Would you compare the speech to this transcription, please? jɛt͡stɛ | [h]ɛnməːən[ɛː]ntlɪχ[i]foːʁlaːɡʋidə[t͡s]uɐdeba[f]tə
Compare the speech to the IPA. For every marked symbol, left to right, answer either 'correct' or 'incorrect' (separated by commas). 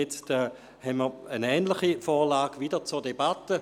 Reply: correct, correct, correct, correct, incorrect